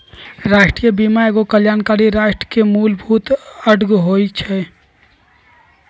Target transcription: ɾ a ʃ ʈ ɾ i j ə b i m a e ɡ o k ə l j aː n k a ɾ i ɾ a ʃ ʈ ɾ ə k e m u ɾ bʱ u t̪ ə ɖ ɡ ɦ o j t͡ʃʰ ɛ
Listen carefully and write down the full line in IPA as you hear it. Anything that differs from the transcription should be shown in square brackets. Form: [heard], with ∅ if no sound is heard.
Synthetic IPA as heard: ɾ a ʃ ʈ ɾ i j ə b i m a e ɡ o k ə l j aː n k a ɾ i ɾ a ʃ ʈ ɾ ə k e m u [l] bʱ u t̪ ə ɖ ɡ ɦ o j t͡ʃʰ ɛ